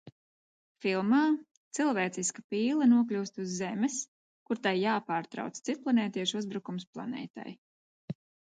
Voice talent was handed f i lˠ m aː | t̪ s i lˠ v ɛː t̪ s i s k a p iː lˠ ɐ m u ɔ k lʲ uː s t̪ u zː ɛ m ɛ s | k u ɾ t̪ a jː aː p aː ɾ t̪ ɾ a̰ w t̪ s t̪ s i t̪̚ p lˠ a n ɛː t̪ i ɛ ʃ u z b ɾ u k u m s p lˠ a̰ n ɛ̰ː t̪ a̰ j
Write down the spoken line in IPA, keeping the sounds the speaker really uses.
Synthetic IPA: f i lˠ m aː | t̪ s i lˠ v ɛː t̪ s i s k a p iː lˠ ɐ n u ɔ k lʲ uː s t̪ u zː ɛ m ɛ s | k u ɾ t̪ a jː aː p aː ɾ t̪ ɾ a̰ w t̪ s t̪ s i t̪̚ p lˠ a n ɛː t̪ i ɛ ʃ u z b ɾ u k u m s p lˠ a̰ n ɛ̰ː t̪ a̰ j